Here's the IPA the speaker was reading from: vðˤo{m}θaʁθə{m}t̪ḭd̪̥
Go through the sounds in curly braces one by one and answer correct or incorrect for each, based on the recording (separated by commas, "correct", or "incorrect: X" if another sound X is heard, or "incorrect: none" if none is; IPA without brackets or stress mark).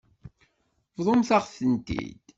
correct, incorrect: n